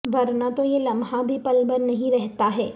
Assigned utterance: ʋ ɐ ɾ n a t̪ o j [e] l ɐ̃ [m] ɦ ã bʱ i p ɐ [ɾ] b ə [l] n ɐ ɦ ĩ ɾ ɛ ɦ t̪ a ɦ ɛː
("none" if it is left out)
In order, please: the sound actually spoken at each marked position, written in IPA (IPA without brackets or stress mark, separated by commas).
e, m, l, ɾ